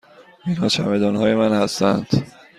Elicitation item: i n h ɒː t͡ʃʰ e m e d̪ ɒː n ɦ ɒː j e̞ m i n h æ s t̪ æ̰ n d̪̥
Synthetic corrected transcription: i n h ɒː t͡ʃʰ æ m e d̪ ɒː n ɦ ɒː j e̞ m æ n h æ s t̪ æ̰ n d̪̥